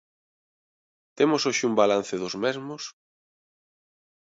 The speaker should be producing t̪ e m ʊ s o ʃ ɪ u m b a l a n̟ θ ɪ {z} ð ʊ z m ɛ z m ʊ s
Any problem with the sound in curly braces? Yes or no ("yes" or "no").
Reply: yes